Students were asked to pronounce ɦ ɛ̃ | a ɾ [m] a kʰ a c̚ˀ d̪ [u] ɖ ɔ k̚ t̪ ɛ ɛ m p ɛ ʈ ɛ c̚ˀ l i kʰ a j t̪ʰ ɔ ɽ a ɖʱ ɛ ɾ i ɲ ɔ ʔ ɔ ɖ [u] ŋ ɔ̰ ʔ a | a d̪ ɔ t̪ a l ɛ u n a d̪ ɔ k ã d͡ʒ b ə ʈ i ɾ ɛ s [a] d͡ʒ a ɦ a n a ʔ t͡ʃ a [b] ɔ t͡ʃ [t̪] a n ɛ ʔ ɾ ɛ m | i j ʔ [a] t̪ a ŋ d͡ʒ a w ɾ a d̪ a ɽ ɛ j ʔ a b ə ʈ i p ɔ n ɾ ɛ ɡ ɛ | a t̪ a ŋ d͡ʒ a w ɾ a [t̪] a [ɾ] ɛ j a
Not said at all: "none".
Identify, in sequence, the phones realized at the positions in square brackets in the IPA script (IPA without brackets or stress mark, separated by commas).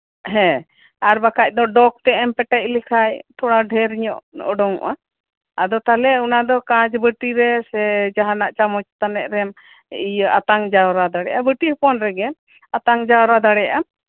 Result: b, ɔ, ɔ, ɛ, m, t̪, a, d̪, ɽ